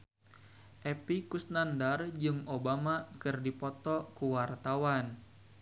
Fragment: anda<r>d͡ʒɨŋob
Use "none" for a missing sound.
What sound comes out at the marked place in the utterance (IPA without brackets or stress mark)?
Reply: r